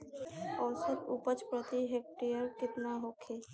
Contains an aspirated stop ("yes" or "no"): yes